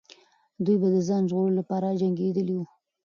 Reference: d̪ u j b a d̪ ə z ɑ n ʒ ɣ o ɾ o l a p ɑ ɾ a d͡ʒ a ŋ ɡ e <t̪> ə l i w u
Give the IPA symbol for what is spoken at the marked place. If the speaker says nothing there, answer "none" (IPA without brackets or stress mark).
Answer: d̪